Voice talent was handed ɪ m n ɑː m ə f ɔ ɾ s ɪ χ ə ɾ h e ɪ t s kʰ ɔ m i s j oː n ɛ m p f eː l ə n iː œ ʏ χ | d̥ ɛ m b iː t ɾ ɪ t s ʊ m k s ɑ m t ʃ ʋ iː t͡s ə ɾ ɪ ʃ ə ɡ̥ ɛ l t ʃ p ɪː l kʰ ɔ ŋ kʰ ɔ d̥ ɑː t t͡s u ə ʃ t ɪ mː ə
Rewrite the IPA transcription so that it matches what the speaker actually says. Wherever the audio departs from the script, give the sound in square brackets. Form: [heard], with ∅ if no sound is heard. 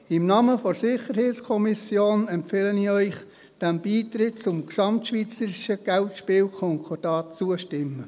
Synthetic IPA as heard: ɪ m n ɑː m ə f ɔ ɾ s ɪ χ ə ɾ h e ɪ t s kʰ ɔ m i s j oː n ɛ m p f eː l ə n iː œ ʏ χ | d̥ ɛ m b iː t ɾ ɪ t [t͡s] ʊ m k s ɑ m t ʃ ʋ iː t͡s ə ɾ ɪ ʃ ə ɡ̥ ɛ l t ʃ p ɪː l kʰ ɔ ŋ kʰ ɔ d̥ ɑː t t͡s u ə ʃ t ɪ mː ə